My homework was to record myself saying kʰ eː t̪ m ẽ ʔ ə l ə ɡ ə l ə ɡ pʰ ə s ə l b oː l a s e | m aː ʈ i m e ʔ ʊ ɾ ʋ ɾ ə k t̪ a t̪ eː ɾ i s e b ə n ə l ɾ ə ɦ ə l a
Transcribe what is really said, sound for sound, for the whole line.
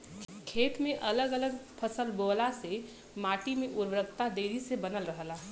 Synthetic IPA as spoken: kʰ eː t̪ m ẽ ʔ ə l ə ɡ ə l ə ɡ pʰ ə s ə l b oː l a s e | m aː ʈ i m e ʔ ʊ ɾ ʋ ɾ ə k t̪ a d̪ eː ɾ i s e b ə n ə l ɾ ə ɦ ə l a